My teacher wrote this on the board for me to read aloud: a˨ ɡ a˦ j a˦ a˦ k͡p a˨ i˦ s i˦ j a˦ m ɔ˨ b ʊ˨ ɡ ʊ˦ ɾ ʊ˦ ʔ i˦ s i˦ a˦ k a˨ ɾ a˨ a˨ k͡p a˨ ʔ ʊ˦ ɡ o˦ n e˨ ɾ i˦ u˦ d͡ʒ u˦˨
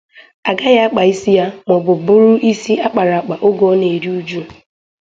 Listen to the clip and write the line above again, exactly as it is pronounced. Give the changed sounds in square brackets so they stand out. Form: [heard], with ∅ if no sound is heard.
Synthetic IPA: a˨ ɡ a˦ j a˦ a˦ k͡p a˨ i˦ s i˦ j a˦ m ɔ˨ b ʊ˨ [b] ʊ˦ ɾ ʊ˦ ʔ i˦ s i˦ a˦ [k͡p] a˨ ɾ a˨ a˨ k͡p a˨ ʔ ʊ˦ ɡ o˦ n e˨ ɾ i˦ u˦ d͡ʒ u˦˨